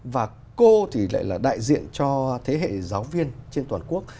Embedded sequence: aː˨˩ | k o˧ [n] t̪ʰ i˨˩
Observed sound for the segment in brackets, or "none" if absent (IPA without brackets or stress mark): none